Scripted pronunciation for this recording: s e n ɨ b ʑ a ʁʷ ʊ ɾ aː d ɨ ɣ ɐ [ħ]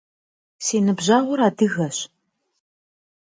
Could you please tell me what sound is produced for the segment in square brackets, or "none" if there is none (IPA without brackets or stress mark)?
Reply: ɕ